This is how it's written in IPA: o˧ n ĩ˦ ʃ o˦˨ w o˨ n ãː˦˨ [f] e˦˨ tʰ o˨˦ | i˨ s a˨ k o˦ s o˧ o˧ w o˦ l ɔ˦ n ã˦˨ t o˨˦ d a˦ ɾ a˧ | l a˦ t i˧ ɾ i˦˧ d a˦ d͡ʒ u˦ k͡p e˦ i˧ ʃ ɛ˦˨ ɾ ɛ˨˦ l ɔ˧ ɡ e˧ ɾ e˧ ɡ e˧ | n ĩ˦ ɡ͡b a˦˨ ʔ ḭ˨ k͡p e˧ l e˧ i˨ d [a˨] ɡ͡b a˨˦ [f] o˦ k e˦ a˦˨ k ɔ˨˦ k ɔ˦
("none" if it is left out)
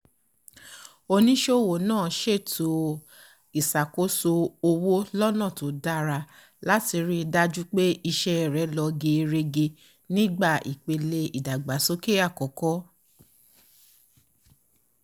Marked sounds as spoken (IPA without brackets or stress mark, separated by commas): ʃ, a˨, s